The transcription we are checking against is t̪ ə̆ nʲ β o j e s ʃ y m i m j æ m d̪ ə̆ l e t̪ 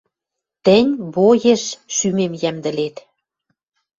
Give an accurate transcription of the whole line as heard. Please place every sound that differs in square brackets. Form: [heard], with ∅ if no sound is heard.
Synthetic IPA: t̪ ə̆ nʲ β o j e [ʃ] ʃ y m [e] m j æ m d̪ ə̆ l e t̪